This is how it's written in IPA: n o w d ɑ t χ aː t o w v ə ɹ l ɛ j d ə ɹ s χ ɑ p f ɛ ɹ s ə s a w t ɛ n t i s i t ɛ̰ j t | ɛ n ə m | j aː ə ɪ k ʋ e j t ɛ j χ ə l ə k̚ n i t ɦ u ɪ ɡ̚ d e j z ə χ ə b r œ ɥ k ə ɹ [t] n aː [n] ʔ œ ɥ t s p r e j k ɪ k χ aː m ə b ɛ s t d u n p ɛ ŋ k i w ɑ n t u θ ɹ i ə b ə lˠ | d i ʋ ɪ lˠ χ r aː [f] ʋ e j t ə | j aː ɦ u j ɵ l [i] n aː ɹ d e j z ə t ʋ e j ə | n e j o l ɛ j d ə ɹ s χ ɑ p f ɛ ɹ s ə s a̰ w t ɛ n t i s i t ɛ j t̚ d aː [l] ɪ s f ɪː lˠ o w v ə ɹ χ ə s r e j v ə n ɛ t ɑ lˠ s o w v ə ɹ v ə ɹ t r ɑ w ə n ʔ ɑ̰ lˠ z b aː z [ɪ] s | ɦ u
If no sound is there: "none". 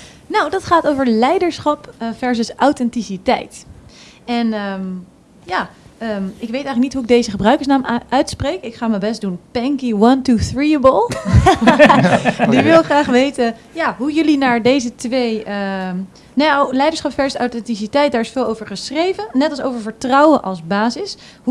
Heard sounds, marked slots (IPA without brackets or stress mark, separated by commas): s, m, χ, i, ɹ, ɪ